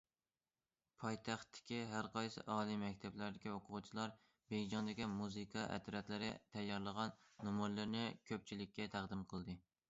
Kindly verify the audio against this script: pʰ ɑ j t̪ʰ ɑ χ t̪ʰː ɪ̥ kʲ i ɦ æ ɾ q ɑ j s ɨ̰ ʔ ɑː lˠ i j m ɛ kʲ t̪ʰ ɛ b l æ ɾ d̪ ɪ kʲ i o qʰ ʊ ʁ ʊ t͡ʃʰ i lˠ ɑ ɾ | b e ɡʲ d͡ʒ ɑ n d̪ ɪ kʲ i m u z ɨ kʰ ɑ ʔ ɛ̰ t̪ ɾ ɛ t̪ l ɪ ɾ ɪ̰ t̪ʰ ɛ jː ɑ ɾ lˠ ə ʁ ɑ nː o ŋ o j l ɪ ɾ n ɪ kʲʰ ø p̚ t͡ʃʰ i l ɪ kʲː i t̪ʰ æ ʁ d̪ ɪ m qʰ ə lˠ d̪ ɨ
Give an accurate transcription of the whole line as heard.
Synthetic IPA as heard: pʰ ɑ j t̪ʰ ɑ χ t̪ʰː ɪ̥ kʲ i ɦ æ ɾ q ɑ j s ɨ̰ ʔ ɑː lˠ i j m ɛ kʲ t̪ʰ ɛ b l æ ɾ d̪ ɪ kʲ i o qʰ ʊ ʁ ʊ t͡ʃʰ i lˠ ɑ ɾ | b e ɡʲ d͡ʒ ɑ n d̪ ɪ kʲ i m u z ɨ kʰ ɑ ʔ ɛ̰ t̪ ɾ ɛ t̪ l ɪ ɾ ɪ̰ t̪ʰ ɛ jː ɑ ɾ lˠ ə ʁ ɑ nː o m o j l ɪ ɾ n ɪ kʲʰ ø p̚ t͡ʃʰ i l ɪ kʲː ɛ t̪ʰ æ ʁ d̪ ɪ m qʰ ə lˠ d̪ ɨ